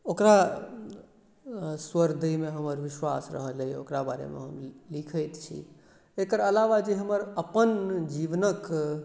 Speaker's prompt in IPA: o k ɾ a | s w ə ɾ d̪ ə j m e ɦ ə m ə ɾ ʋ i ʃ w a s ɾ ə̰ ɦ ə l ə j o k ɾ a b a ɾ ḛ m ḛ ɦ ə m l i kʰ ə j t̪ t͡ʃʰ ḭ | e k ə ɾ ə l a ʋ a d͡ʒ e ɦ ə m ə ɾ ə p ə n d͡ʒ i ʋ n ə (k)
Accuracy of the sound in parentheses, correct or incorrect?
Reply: correct